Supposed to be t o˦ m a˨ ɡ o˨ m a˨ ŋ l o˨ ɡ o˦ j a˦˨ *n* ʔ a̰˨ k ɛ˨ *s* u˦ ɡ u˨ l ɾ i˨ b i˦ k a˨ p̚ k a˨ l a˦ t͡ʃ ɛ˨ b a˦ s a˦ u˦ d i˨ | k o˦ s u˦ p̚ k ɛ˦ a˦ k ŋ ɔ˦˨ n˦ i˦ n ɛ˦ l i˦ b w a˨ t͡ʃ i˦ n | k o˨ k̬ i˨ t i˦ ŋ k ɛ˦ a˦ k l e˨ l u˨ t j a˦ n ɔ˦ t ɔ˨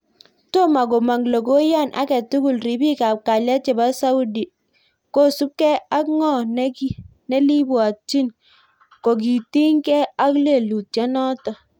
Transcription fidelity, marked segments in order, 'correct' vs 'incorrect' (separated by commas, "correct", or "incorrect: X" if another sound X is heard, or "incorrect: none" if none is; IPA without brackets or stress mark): correct, incorrect: t